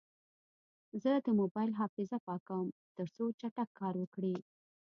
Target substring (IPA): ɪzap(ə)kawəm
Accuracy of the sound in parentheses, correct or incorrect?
incorrect